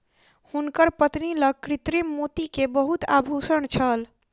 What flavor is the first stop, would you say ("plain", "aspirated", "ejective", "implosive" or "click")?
plain